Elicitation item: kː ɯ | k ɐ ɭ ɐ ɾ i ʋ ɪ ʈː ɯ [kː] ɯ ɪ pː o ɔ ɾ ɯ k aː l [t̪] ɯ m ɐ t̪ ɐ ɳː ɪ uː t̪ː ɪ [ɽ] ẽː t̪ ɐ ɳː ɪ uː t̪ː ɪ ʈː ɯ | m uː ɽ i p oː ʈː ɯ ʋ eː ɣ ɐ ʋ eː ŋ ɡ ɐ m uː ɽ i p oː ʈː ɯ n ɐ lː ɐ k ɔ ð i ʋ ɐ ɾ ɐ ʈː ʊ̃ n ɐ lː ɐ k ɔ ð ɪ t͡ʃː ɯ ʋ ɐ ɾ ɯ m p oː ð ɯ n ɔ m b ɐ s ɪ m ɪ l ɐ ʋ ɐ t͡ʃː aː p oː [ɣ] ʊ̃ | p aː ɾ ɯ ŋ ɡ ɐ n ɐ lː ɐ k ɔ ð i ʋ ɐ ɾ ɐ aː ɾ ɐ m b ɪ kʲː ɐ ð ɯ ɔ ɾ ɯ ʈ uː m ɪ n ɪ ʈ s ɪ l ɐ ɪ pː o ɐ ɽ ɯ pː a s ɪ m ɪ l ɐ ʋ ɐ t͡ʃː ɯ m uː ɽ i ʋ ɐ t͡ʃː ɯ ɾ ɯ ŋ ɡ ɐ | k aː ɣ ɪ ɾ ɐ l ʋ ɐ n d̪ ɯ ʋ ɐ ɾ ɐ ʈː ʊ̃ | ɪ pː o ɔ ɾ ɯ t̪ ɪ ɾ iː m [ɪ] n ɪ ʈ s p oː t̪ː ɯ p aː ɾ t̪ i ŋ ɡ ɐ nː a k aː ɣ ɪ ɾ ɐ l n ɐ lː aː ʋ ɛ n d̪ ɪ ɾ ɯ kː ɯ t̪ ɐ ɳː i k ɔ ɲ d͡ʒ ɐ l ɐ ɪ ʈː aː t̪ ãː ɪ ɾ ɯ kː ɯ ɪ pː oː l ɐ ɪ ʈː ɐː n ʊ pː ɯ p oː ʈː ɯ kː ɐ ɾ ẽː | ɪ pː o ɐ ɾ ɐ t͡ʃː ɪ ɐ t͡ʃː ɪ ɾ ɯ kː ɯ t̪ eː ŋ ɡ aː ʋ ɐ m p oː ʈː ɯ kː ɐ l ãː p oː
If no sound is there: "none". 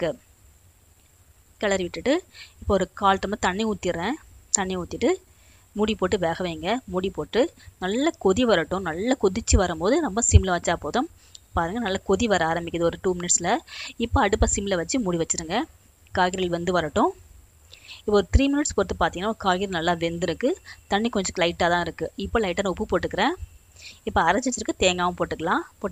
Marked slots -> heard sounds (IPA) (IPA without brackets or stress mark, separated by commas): ʈː, t̪, ɾ, ð, ɪ